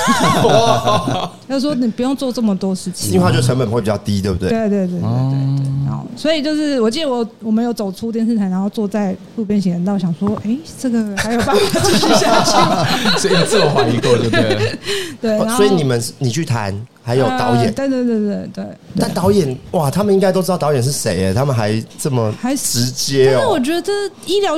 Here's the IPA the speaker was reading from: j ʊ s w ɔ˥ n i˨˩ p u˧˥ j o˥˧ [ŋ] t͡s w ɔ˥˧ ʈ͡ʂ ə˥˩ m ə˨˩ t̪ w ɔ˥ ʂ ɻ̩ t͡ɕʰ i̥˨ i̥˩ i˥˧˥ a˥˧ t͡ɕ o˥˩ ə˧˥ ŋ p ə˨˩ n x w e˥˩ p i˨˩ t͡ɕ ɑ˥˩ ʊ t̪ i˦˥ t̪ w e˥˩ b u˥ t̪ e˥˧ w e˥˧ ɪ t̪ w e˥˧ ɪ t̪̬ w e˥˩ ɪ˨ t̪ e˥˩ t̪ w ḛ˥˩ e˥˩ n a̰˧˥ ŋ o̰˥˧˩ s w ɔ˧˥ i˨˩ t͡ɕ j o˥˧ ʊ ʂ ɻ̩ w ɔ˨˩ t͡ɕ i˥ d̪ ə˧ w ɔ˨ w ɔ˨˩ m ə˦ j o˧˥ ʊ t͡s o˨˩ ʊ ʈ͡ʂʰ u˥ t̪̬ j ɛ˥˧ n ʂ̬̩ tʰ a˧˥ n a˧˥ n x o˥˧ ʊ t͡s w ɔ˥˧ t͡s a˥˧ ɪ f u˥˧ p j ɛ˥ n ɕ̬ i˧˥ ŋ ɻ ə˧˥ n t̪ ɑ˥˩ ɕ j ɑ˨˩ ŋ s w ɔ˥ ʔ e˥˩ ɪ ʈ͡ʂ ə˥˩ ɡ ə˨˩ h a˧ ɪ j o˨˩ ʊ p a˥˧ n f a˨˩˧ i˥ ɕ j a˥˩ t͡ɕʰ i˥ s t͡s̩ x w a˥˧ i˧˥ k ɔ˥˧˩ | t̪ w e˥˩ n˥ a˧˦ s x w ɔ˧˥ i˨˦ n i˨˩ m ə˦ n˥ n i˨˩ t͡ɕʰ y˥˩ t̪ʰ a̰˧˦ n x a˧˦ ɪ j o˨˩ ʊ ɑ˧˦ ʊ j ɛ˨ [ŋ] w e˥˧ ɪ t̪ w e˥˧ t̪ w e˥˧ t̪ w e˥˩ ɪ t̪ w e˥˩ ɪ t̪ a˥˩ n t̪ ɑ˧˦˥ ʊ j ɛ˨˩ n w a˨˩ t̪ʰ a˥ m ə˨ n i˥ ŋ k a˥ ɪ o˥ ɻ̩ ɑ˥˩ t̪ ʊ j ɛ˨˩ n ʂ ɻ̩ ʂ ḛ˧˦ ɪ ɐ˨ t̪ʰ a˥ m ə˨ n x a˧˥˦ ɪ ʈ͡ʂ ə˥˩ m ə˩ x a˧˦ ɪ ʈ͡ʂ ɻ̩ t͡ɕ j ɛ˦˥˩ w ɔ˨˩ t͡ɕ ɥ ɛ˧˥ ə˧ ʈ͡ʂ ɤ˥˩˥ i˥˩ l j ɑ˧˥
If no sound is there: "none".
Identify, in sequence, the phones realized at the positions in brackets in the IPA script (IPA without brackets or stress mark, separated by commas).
ŋ, n